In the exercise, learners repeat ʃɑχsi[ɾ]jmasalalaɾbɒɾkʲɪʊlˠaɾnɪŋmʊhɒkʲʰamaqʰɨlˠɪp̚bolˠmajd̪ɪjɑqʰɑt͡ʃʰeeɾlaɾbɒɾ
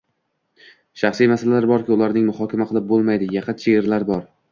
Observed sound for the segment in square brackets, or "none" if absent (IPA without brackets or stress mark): none